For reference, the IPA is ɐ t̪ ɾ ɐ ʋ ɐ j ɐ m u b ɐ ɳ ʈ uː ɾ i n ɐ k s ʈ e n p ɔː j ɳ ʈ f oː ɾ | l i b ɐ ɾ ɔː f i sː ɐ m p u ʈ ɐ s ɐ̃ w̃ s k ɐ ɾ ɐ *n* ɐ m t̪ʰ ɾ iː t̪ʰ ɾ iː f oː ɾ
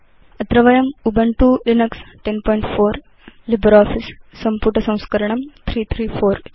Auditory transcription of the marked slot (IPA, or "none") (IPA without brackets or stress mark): ɳ